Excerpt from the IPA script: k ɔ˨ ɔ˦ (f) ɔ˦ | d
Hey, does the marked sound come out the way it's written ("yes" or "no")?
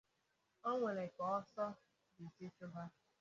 no